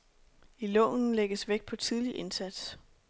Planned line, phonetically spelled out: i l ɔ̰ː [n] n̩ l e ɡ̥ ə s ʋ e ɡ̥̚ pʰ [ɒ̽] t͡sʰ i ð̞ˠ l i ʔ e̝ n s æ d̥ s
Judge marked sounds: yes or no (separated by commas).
yes, yes